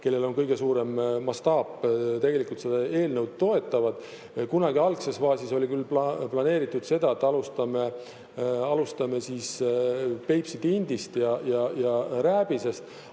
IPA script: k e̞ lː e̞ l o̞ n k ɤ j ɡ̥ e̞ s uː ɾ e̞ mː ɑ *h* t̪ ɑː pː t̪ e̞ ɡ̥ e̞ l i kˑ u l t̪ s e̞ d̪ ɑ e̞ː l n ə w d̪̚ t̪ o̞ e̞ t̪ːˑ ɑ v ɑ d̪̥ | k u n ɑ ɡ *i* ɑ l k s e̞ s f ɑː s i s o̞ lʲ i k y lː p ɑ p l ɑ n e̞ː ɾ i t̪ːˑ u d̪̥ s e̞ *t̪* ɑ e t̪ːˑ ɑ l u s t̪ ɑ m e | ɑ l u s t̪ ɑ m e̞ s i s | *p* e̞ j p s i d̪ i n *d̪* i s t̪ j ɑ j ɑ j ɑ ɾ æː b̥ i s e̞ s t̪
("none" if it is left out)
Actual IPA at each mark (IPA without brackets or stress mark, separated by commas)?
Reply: s, i, d̪, p, d̪